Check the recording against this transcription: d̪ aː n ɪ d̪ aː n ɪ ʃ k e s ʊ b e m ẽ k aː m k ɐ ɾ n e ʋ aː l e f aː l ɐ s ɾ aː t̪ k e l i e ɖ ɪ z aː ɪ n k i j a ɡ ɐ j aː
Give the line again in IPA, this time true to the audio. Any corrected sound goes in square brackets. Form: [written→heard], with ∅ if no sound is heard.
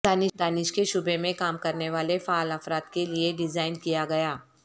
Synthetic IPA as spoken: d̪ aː n ɪ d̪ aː n ɪ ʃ k e [s→ʃ] ʊ b e m ẽ k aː m k ɐ ɾ n e ʋ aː l e f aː l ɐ [s→f] ɾ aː t̪ k e l i e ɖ ɪ z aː ɪ n k i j a ɡ ɐ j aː